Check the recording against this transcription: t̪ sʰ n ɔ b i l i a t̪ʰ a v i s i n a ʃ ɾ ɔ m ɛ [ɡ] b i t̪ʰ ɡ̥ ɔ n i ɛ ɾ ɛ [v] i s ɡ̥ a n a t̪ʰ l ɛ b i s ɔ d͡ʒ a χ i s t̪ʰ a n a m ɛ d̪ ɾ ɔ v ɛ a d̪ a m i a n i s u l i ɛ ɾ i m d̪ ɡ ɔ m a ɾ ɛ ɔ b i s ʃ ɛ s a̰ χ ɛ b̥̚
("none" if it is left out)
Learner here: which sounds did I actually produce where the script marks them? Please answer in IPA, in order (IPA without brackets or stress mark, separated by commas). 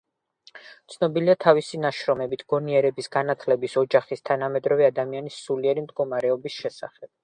none, b